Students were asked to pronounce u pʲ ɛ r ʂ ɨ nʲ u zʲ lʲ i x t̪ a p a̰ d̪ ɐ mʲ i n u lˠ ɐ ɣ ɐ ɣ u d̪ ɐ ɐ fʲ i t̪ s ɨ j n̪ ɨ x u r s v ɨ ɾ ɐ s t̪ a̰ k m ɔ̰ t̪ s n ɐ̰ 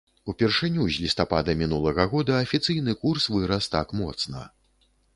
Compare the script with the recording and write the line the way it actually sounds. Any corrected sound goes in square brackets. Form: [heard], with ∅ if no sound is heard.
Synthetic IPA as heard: u pʲ ɛ r ʂ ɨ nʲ u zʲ lʲ i [s] t̪ a p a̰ d̪ ɐ mʲ i n u lˠ ɐ ɣ ɐ ɣ [ɔ] d̪ ɐ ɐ fʲ i t̪ s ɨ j n̪ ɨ [k] u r s v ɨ ɾ ɐ s t̪ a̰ k m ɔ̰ t̪ s n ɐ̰